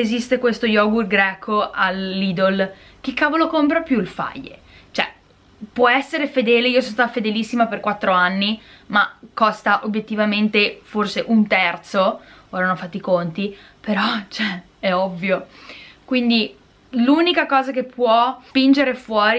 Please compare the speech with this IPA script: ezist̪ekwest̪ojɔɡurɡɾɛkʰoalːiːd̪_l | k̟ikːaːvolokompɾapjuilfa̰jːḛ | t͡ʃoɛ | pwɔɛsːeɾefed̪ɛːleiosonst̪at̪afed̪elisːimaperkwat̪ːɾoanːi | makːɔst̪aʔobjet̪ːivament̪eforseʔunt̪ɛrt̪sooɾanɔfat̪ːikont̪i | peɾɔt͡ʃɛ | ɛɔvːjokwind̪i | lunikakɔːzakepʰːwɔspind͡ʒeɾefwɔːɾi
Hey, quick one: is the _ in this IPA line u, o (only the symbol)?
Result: o